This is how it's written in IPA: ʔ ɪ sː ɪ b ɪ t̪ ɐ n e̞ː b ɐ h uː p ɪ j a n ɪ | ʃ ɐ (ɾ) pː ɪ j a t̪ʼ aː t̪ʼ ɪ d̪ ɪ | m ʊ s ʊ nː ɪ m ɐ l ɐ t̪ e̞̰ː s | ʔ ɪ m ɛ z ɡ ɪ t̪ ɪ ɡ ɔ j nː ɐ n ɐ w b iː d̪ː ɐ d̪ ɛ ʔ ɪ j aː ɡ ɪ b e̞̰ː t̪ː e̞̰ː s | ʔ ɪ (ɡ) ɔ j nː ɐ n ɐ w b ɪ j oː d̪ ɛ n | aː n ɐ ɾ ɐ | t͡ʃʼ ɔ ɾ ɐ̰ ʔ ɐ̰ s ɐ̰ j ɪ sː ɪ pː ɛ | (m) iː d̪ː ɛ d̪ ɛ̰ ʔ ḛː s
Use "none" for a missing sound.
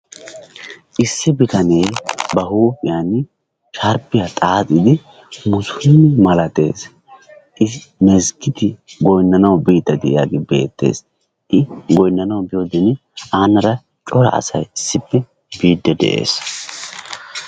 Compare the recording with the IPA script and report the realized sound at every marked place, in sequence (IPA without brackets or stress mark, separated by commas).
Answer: ɾ, ɡ, b